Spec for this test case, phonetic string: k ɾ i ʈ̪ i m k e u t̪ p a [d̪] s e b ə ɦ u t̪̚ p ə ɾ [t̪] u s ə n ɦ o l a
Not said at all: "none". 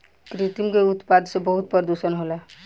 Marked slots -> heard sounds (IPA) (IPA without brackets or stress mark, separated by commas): d̪, d̪